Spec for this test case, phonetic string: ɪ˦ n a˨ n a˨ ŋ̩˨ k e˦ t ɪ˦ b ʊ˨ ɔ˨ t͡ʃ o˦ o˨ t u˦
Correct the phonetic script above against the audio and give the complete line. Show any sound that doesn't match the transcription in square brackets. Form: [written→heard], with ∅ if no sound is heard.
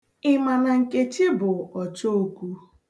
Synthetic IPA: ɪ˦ [n→m] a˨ n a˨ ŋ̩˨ k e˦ [t→t͡ʃ] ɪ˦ b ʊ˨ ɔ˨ t͡ʃ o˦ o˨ [t→k] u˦

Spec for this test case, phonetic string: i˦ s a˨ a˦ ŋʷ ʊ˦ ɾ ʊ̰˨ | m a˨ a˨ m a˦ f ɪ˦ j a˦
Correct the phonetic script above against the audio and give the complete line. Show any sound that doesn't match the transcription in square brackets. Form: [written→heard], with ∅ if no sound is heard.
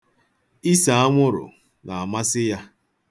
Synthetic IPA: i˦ s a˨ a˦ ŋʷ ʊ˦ ɾ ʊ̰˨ | [m→n] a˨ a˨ m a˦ [f→s] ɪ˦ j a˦

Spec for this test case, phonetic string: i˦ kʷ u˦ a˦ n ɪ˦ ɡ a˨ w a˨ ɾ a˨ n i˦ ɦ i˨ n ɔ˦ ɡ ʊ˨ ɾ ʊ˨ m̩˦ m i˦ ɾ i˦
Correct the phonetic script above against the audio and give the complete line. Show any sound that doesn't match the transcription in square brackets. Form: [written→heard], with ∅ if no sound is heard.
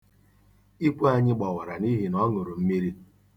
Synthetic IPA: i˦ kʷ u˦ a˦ [n→ɲ] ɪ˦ [ɡ→ɡ͡b] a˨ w a˨ ɾ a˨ n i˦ ɦ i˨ n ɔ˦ [ɡ→ŋ] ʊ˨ ɾ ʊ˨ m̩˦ m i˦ ɾ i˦

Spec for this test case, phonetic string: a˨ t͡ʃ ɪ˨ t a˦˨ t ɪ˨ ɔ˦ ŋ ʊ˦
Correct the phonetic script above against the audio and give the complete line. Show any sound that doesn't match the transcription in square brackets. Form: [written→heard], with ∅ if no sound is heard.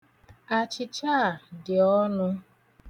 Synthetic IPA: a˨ t͡ʃ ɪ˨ [t→t͡ʃ] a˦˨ [t→d] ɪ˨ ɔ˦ [ŋ→n] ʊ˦

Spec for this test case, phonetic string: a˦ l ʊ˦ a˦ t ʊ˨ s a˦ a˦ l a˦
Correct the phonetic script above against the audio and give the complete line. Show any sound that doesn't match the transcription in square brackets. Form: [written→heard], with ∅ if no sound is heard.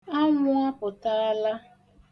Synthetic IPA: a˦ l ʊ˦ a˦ [t→p] ʊ˨ [s→t] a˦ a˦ l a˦

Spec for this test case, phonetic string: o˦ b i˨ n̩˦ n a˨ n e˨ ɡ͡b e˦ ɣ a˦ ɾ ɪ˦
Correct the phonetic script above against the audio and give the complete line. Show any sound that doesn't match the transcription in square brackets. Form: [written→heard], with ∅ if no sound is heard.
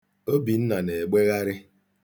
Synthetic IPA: o˦ b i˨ n̩˦ n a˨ n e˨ ɡ͡b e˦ ɣ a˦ ɾ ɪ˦

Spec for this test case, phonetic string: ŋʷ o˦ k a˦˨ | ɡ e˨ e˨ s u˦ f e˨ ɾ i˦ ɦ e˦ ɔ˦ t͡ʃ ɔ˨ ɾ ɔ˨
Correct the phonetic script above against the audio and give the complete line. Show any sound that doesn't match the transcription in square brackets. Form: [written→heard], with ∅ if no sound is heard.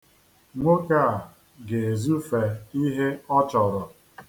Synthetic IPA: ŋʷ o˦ k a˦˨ | ɡ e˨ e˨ [s→z] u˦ f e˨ [ɾ→∅] i˦ ɦ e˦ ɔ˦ t͡ʃ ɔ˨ ɾ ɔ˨

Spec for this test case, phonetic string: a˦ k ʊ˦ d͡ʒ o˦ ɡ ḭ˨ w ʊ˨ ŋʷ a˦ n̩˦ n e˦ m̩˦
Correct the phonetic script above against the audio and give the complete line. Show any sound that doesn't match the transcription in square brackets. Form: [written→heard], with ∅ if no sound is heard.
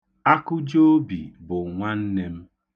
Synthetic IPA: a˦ k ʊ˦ d͡ʒ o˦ [ɡ→b] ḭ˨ [w→b] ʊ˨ ŋʷ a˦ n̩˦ n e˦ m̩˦

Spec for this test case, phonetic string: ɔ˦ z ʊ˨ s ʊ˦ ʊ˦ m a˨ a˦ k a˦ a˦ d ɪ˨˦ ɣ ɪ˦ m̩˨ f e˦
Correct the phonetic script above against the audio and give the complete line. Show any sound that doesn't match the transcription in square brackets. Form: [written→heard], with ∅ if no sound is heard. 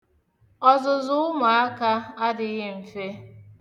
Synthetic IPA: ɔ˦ z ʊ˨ [s→z] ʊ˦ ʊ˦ m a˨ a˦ k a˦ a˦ d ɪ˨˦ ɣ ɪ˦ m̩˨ f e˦

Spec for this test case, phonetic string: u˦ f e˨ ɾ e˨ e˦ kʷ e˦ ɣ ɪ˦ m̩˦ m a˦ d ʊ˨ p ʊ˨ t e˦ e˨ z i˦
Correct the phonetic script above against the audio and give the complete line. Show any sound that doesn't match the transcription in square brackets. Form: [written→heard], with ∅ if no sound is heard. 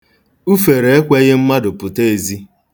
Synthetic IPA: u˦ f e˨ ɾ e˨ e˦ kʷ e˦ ɣ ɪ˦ m̩˦ m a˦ d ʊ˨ p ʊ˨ t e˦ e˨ z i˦

